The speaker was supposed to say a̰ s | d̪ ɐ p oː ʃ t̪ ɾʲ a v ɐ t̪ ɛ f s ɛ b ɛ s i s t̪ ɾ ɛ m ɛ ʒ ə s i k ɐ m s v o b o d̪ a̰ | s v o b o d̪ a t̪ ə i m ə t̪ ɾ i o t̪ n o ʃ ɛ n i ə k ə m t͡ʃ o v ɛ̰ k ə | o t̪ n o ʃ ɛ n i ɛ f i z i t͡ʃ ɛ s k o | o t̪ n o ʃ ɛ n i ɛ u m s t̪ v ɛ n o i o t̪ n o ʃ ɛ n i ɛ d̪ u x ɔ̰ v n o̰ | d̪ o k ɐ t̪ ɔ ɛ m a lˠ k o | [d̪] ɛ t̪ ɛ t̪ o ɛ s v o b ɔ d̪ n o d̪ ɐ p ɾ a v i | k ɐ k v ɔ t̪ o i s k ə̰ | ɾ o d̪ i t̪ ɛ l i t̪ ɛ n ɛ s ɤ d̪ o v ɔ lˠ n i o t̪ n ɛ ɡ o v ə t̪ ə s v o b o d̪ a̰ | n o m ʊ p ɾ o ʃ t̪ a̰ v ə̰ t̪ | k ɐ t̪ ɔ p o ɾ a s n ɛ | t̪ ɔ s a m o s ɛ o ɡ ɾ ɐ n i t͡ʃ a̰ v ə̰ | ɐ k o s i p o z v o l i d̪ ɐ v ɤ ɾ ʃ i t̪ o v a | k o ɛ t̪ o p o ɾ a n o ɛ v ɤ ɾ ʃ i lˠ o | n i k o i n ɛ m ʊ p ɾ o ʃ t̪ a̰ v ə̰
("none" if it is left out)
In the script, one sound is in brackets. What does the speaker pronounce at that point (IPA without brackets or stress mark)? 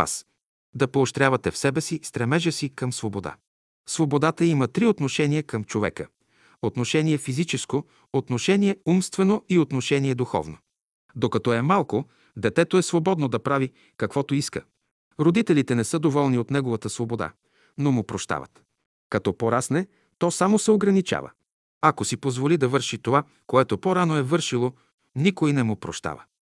d̪